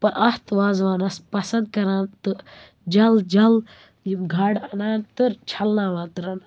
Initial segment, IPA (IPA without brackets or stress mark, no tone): p